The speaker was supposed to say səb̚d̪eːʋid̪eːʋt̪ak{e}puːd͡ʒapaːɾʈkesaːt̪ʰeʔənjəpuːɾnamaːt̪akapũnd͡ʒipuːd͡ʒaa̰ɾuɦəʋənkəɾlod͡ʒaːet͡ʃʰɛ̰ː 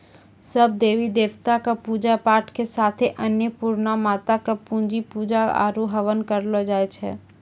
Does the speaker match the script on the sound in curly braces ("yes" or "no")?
no